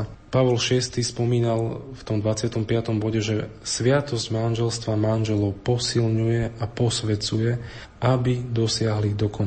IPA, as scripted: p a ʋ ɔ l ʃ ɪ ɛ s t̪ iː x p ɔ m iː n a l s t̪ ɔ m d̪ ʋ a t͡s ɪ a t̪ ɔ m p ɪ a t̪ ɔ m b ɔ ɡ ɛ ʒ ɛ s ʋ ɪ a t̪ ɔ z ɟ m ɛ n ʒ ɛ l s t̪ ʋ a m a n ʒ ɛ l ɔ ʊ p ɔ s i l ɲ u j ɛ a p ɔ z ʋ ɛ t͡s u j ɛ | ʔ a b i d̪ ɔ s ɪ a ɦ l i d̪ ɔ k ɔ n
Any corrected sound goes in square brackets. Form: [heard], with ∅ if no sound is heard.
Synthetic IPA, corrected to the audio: p a ʋ ɔ l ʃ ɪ ɛ s t̪ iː [s] p ɔ m iː n a l [f] t̪ ɔ m d̪ ʋ a t͡s ɪ a t̪ ɔ m p ɪ a t̪ ɔ m b ɔ [ɟ] ɛ ʒ ɛ s ʋ ɪ a t̪ ɔ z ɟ m [a] n ʒ ɛ l s t̪ ʋ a m a n ʒ ɛ l ɔ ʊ p ɔ s i l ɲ u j ɛ a p ɔ [s] ʋ ɛ t͡s u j ɛ | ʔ a b i d̪ ɔ s ɪ a ɦ l i d̪ ɔ k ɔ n